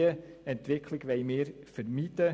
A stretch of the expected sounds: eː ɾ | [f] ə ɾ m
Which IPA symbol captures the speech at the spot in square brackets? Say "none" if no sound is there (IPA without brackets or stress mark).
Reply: f